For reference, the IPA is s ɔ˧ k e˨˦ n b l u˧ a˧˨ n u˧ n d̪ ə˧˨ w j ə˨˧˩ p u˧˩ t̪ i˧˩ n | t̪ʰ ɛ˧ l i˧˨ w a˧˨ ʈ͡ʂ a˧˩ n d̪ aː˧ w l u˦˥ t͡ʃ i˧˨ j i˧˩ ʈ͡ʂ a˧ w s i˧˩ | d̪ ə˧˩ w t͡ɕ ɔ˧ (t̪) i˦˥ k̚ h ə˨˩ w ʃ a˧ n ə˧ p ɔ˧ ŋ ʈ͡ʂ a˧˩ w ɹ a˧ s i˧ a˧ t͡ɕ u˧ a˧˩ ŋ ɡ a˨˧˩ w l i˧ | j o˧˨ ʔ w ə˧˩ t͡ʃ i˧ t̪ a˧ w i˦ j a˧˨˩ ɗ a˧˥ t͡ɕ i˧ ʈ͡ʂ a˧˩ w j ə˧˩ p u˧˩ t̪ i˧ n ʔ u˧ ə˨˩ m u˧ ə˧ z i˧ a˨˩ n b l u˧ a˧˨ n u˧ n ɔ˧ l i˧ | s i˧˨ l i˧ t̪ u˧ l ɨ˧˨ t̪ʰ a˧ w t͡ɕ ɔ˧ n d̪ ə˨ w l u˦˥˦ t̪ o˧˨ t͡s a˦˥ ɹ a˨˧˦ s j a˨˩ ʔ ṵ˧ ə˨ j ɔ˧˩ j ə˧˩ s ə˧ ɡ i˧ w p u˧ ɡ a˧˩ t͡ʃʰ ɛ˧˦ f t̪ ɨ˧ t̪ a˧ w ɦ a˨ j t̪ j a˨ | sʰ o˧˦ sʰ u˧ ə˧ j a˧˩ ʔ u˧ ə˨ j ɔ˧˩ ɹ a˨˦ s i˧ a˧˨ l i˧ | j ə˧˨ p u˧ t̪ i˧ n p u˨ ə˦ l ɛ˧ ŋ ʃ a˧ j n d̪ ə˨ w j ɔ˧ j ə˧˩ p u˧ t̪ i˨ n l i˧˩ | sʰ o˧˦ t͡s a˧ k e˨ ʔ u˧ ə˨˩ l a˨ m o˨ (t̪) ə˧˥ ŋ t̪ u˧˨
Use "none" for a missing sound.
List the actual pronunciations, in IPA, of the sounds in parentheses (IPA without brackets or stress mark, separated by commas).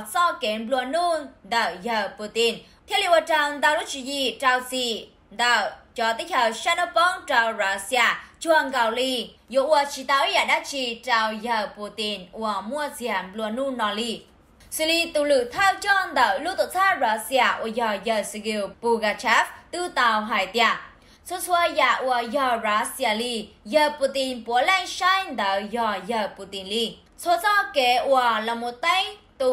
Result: t̪, t̪